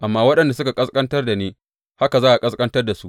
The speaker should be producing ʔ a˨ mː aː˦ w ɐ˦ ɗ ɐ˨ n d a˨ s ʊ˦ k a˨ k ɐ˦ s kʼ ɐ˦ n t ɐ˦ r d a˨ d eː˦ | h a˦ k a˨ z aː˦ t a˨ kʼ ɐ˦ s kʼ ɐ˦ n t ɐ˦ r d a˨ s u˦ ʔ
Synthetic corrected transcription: ʔ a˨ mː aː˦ w ɐ˦ ɗ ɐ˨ n d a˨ s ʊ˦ k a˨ kʼ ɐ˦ s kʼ ɐ˦ n t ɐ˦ r d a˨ n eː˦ | h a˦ k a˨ z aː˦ ʔ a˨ kʼ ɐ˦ s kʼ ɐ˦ n t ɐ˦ r d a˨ s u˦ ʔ